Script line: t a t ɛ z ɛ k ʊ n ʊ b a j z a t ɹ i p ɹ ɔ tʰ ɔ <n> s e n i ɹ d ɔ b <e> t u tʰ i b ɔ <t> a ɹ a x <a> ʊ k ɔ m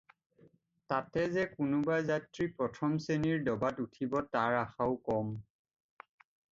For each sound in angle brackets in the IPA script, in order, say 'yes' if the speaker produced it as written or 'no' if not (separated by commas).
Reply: no, no, yes, yes